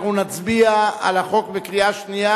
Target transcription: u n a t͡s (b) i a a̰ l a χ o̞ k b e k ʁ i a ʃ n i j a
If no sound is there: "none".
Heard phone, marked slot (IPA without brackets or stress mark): b